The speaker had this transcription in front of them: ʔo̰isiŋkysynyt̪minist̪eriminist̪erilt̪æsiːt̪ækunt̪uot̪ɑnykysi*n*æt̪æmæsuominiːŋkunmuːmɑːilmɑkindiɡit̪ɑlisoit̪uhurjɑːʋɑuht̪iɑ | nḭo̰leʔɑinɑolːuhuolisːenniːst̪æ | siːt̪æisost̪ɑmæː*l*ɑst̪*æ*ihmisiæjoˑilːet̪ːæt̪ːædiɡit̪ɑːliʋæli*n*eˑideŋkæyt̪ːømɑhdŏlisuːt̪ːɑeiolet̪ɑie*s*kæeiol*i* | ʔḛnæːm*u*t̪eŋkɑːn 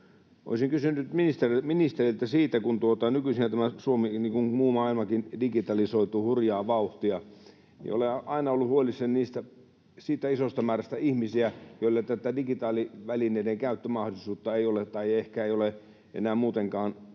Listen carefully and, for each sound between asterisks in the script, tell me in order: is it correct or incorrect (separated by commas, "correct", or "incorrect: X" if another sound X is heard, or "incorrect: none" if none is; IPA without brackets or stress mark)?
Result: correct, incorrect: r, correct, correct, incorrect: h, incorrect: e, incorrect: uː